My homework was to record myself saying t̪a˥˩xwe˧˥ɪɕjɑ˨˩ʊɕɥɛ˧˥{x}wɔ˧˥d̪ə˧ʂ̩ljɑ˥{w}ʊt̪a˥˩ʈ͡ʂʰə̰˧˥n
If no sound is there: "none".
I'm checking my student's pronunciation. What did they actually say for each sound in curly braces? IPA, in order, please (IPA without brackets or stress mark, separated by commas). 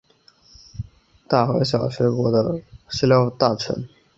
k, none